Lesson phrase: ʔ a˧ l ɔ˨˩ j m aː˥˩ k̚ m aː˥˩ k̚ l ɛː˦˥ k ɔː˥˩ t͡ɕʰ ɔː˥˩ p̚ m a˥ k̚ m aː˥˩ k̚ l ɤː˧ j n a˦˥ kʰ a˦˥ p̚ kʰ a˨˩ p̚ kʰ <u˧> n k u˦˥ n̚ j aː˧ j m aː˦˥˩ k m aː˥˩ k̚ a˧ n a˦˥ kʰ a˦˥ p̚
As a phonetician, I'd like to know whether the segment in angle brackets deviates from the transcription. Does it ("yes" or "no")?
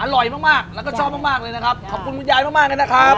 no